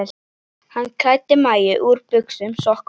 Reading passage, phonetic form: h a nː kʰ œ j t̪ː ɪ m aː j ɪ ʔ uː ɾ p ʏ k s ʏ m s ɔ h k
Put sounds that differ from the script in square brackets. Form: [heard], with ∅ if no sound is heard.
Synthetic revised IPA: h a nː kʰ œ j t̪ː ɪ m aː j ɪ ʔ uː ɾ p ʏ k s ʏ m s ɔ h k